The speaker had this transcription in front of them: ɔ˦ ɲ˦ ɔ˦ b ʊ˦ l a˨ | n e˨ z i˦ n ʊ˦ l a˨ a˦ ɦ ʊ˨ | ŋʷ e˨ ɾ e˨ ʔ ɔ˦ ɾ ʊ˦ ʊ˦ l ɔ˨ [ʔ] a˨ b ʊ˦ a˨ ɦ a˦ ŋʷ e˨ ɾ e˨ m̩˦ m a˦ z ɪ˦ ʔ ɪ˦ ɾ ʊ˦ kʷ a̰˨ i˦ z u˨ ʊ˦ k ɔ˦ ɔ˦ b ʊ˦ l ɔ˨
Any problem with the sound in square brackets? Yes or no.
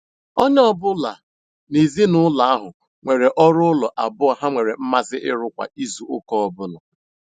no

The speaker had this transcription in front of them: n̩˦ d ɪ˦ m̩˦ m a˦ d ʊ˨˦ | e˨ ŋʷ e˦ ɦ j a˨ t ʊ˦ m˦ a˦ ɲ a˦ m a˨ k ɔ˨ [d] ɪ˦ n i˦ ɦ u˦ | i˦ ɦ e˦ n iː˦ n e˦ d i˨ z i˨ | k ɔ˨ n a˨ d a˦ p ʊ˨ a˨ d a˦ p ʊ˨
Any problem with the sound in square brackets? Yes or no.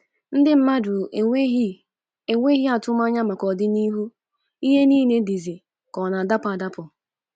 no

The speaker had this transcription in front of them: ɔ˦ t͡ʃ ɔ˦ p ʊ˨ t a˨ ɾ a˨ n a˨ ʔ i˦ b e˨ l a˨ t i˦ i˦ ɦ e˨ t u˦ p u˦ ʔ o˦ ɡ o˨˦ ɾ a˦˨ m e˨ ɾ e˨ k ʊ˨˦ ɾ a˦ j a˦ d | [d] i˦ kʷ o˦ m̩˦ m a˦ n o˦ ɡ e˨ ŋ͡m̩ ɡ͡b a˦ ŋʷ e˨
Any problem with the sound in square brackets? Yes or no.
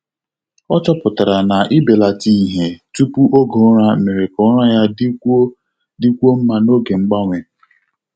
no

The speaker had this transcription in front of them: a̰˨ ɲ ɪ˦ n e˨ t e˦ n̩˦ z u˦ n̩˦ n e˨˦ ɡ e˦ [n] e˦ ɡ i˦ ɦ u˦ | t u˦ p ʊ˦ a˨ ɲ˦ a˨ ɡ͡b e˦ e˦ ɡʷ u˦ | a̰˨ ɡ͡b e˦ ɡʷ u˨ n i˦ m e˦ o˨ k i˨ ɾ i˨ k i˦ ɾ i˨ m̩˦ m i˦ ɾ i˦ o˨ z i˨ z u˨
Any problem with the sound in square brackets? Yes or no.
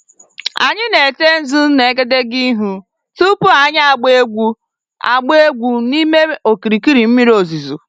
yes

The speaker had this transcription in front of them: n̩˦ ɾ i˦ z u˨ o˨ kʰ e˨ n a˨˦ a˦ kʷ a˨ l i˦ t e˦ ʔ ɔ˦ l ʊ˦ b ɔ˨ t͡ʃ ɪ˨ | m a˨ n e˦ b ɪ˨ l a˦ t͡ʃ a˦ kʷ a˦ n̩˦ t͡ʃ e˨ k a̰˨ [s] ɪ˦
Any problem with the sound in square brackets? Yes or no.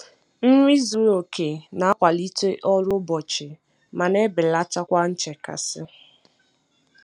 no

